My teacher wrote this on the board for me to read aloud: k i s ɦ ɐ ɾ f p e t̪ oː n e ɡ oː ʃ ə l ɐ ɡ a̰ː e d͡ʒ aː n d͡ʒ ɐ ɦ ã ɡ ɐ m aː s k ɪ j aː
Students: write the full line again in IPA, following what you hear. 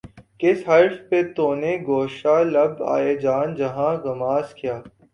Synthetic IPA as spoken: k ɪ s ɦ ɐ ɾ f p e t̪ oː n e ɡ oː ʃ a l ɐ b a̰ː e d͡ʒ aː n d͡ʒ ɐ ɦ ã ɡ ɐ m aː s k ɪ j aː